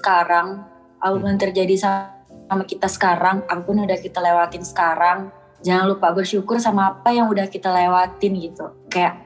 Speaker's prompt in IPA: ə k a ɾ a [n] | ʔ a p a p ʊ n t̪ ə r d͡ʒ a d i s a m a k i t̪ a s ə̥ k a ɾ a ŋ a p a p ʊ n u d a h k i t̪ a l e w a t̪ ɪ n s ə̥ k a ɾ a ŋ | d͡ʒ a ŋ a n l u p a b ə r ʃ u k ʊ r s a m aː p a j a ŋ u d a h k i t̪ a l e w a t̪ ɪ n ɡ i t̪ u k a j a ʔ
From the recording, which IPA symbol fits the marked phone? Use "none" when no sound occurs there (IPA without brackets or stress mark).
ŋ